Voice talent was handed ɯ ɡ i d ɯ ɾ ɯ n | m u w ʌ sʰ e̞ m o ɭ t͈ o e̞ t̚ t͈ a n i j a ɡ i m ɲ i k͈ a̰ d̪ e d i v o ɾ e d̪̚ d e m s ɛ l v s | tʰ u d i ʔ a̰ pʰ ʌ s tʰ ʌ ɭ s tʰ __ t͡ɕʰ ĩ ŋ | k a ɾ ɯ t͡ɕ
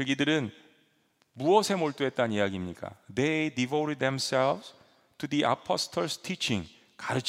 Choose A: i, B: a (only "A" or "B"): A